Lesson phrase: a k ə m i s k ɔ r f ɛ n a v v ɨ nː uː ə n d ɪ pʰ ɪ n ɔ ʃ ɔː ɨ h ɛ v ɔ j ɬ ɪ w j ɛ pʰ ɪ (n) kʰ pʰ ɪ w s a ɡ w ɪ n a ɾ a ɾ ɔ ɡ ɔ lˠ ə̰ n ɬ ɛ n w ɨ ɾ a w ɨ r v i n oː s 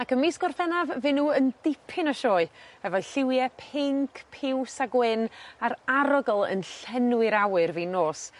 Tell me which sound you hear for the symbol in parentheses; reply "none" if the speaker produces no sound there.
ŋ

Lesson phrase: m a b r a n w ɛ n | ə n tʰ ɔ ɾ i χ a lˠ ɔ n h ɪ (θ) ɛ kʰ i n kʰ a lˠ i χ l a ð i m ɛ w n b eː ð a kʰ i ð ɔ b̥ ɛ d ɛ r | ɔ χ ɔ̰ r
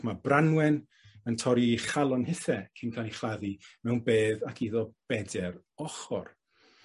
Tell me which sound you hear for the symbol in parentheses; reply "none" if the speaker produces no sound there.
θ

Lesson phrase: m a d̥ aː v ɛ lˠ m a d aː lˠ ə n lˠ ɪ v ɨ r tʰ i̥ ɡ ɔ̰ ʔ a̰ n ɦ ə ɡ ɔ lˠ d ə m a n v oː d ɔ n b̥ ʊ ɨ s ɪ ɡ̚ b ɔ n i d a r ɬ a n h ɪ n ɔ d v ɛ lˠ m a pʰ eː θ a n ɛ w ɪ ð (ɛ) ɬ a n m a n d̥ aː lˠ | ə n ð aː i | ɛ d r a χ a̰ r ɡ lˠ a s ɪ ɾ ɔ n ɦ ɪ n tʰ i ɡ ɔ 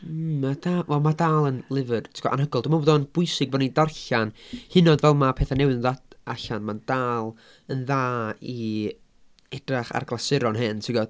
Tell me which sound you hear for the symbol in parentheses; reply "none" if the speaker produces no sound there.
a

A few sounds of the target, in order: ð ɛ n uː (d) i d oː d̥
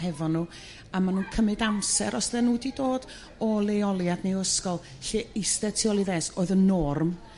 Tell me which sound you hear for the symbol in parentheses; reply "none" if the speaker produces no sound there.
d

